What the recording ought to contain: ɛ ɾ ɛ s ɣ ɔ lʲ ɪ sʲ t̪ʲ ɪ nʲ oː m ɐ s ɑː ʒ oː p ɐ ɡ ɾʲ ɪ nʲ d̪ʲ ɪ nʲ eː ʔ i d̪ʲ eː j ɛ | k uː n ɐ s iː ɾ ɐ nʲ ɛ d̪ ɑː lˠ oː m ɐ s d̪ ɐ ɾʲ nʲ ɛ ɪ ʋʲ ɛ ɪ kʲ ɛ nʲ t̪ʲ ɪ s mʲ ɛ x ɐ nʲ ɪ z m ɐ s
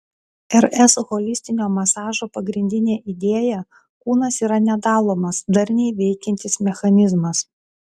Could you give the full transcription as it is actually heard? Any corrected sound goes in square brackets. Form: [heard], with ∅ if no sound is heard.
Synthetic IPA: ɛ ɾ ɛ s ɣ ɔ lʲ ɪ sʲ t̪ʲ ɪ nʲ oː m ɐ s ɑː ʒ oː p ɐ ɡ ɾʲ ɪ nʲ d̪ʲ ɪ nʲ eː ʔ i d̪ʲ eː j ɛ | k uː n ɐ s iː ɾ ɐ nʲ ɛ d̪ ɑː lˠ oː m ɐ s d̪ ɐ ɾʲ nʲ ɛ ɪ ʋʲ ɛ ɪ kʲ ɛ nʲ t̪ʲ ɪ s mʲ ɛ x ɐ nʲ ɪ z m ɐ s